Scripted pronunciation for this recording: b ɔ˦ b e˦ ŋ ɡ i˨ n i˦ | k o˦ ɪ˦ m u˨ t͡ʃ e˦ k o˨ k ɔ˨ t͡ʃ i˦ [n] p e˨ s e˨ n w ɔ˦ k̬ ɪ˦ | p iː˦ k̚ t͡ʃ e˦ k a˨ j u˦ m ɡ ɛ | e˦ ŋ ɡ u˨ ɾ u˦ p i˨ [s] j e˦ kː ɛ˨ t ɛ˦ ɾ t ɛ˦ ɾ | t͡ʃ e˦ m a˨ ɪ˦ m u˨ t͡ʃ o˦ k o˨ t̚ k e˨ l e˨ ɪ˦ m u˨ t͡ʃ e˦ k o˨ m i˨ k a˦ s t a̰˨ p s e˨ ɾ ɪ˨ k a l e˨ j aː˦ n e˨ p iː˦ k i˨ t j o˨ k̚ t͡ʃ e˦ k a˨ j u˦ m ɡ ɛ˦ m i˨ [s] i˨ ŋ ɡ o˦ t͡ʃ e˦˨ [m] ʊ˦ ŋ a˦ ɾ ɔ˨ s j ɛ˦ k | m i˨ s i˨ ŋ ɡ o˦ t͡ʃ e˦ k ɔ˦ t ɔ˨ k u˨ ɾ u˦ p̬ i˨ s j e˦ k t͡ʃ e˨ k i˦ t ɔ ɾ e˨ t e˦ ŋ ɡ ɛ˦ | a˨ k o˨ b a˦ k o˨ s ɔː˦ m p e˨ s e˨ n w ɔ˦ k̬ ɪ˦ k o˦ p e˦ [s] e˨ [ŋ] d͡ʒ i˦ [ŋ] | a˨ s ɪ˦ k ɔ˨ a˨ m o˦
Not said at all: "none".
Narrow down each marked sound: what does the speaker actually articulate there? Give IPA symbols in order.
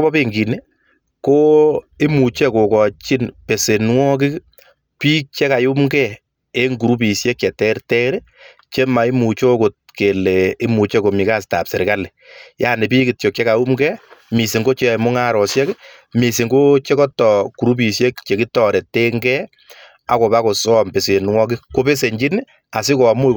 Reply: n, s, s, m, s, ɲ, n

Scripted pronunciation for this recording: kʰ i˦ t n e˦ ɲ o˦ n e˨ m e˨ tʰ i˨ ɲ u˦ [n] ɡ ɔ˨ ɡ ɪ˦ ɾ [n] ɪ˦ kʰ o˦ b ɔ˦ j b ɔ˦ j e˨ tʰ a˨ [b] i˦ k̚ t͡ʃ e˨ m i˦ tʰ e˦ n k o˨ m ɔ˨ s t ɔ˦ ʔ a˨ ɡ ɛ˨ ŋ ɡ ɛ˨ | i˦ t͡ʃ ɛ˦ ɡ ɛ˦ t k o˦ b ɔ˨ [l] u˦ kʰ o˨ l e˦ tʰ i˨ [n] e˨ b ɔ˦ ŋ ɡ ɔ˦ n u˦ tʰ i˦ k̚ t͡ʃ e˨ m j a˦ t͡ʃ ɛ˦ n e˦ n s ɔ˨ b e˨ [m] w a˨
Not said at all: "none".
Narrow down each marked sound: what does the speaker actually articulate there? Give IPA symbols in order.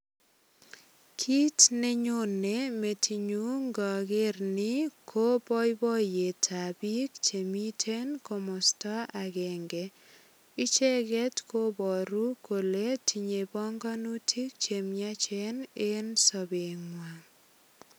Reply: ŋ, n, b, ɾ, ɲ, ŋ

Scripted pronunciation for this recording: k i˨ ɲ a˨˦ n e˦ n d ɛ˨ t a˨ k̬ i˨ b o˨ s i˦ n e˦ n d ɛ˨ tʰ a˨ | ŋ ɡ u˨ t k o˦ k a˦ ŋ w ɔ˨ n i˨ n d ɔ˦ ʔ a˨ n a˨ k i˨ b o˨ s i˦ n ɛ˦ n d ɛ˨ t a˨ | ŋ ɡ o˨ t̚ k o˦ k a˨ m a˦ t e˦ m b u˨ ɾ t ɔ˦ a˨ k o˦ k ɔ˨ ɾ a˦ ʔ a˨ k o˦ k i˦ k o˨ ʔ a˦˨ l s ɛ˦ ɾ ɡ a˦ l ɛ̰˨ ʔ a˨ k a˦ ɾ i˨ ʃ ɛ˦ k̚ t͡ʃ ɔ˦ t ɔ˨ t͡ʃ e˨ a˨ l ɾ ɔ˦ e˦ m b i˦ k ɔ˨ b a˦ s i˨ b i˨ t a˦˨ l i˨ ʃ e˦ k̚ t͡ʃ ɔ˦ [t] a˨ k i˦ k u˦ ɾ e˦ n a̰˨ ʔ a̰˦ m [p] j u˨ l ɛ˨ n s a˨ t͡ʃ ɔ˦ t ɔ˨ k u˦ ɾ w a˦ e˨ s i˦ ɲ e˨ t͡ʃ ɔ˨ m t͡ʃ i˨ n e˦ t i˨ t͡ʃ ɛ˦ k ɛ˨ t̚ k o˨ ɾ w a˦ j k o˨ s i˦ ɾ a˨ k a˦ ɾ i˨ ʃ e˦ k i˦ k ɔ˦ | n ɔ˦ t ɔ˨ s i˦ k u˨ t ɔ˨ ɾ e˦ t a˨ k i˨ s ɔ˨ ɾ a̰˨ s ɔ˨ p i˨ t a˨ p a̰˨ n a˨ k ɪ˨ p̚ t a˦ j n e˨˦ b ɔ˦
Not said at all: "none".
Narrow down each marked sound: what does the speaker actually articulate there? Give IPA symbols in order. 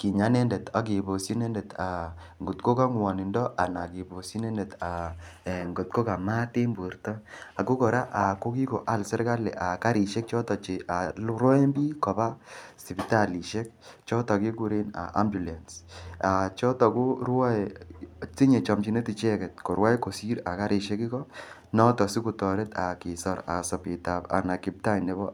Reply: t, b

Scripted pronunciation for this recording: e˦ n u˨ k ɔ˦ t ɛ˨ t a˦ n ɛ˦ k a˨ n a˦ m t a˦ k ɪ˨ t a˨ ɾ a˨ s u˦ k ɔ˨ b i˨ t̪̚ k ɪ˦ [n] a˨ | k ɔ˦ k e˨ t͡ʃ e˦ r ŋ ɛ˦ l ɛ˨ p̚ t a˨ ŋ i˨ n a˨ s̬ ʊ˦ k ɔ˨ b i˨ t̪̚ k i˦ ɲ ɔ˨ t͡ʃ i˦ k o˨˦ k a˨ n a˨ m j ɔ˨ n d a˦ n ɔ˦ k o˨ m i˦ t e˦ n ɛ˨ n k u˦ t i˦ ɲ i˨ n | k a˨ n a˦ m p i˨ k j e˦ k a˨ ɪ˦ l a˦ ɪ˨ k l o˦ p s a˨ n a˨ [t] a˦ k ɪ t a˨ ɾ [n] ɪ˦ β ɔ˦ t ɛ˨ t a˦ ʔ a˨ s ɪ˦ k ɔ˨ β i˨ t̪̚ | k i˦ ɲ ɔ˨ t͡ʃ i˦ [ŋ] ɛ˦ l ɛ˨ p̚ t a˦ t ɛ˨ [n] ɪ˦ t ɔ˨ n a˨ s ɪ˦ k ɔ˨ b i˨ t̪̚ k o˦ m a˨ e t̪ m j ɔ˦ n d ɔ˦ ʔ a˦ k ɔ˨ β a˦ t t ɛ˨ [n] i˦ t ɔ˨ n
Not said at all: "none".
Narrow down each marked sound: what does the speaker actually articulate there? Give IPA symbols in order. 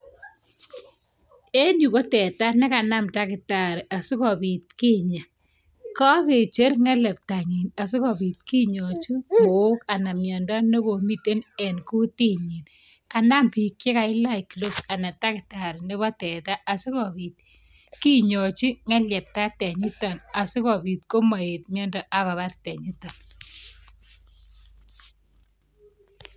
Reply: ɲ, t, n, ŋ, ɲ, ɲ

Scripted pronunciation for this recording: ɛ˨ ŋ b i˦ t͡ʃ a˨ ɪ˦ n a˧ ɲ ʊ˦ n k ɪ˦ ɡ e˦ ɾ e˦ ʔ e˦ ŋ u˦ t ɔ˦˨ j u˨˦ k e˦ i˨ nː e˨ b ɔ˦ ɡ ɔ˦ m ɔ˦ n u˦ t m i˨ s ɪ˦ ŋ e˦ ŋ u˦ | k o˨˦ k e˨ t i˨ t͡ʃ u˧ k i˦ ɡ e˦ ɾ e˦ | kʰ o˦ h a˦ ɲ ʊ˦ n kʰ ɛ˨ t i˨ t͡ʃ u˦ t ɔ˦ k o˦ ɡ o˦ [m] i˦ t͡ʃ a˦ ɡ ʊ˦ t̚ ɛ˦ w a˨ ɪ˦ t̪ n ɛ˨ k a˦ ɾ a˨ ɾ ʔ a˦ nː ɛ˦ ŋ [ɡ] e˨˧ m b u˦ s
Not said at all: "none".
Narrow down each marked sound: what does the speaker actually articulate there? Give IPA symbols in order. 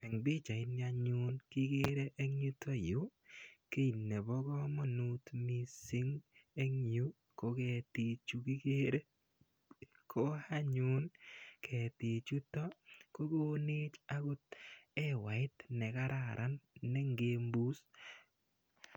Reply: n, ɡ

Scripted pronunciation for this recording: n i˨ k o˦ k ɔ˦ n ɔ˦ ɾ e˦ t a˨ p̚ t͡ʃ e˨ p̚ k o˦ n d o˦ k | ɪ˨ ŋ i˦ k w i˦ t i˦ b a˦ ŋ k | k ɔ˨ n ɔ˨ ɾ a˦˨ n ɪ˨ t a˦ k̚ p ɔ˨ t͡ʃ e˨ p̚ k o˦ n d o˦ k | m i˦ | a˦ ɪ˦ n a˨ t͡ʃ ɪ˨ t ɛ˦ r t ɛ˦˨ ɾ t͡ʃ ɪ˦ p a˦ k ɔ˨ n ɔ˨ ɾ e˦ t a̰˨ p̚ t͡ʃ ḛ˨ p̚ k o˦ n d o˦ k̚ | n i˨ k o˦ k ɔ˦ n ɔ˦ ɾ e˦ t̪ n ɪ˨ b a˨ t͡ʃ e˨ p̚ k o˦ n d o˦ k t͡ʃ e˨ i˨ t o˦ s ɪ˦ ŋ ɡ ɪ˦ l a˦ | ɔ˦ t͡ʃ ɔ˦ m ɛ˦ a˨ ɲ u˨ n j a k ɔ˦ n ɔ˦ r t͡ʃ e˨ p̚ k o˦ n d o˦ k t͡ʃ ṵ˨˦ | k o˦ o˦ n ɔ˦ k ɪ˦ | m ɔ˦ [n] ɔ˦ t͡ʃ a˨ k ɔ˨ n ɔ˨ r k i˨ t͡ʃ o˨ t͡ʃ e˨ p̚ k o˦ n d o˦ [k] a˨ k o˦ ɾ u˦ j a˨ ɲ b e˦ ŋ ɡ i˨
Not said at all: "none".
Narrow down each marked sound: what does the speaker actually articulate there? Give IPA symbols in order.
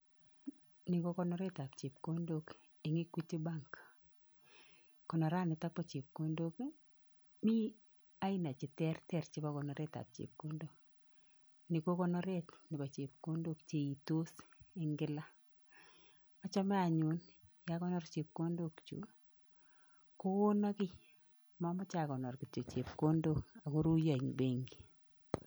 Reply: m, k

